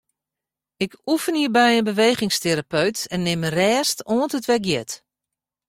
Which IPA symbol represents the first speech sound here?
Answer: ɪ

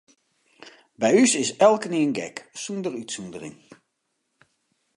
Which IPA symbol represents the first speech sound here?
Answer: b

